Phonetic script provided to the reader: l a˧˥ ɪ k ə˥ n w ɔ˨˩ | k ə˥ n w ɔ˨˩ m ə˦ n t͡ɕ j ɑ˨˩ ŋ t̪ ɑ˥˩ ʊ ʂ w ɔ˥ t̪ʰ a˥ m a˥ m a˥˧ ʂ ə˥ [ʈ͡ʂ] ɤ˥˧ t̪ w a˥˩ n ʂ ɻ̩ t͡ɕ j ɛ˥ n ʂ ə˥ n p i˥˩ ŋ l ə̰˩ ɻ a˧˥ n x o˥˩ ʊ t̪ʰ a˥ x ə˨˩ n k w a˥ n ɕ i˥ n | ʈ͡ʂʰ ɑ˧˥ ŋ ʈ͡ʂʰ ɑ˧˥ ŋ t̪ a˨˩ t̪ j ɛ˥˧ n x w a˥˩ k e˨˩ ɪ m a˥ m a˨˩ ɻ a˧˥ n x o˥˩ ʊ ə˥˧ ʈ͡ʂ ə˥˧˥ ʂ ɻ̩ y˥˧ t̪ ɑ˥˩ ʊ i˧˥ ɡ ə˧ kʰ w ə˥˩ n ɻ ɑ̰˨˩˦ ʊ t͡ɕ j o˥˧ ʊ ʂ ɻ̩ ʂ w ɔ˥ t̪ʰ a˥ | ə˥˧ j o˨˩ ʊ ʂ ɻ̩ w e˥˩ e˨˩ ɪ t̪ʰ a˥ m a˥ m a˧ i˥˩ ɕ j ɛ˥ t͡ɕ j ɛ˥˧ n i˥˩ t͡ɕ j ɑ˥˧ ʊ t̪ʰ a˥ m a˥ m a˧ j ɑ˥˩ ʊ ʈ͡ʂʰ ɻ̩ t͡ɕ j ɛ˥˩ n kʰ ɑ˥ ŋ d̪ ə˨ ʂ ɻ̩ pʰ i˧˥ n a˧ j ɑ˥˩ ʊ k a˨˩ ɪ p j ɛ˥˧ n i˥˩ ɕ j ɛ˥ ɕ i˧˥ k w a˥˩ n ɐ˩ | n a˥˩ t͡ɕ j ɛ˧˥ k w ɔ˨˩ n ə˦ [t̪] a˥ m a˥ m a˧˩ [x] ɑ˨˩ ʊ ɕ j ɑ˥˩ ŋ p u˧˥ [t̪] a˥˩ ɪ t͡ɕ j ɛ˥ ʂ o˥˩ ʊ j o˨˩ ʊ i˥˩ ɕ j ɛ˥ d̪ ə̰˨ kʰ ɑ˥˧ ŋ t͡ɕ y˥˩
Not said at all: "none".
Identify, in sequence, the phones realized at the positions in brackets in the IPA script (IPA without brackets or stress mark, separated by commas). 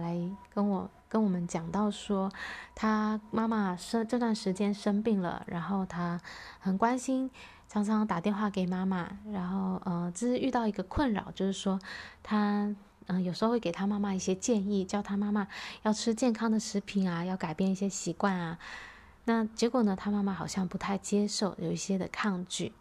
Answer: ʈ͡ʂ, t̪ʰ, x, t̪ʰ